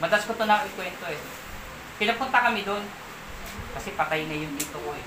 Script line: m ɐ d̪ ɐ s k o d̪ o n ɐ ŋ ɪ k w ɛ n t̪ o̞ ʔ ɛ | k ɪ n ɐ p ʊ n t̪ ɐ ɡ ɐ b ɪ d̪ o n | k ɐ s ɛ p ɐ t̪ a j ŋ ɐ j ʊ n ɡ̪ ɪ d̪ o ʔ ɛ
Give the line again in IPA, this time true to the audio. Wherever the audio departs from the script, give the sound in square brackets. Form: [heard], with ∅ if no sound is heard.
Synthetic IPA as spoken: m ɐ d̪ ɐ s k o [t̪] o n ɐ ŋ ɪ k w ɛ n t̪ o̞ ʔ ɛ | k ɪ n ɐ p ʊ n t̪ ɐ [k] ɐ [m] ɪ d̪ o n | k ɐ s ɛ p ɐ t̪ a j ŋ ɐ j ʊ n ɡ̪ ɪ [t̪] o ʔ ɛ